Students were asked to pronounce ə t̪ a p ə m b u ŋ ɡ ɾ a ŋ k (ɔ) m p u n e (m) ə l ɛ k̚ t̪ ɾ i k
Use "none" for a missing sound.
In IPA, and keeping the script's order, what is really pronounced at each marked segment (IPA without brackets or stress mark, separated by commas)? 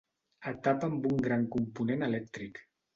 u, n